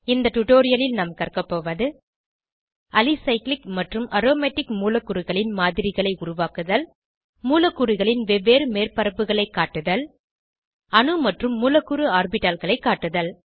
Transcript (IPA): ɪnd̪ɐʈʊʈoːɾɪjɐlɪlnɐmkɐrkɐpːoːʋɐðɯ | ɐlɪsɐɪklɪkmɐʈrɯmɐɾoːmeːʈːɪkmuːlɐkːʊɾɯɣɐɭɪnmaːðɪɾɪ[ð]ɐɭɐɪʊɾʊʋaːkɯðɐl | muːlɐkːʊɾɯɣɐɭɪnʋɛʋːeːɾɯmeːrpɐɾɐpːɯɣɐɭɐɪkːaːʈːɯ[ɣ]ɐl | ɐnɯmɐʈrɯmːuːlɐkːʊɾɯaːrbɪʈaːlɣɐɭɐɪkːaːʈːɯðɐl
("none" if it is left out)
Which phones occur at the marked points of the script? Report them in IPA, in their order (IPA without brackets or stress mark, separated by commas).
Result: ɣ, ð